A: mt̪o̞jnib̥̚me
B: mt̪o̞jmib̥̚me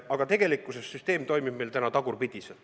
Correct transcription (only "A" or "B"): B